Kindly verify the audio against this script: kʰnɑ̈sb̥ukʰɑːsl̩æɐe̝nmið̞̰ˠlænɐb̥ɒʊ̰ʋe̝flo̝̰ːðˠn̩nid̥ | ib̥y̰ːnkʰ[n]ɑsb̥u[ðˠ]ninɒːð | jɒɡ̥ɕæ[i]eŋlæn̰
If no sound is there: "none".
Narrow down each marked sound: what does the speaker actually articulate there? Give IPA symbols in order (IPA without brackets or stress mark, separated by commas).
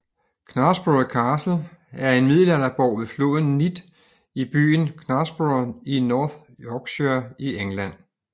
n, none, i